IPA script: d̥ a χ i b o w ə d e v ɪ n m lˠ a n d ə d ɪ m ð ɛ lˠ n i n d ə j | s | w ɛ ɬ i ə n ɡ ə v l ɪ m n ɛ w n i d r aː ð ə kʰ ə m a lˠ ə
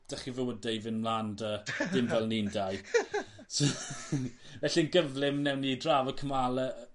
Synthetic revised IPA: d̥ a χ i v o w ə d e v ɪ n m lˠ a n d ə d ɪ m v ɛ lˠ n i n d a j | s | v ɛ ɬ i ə n ɡ ə v l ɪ m n ɛ w n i d r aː v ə kʰ ə m a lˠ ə